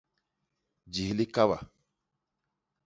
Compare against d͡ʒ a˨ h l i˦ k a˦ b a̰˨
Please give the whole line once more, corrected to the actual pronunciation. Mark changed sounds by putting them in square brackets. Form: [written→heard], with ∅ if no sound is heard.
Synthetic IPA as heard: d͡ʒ [a˨→i˨] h l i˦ k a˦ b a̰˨